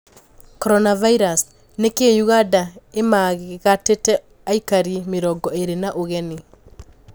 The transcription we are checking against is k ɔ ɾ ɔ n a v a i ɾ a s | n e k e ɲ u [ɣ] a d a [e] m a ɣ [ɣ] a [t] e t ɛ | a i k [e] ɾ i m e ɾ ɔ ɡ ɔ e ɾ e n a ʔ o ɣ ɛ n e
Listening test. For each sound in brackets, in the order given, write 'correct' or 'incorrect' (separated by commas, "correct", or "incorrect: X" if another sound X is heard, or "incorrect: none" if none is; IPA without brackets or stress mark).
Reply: correct, correct, correct, correct, incorrect: a